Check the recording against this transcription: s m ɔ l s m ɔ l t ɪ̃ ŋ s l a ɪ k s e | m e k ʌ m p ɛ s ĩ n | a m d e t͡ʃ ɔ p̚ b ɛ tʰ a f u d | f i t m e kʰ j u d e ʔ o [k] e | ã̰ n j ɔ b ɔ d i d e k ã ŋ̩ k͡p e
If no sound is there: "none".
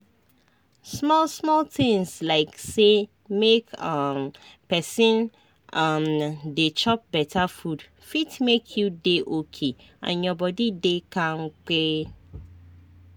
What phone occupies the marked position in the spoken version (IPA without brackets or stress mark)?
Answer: kʰ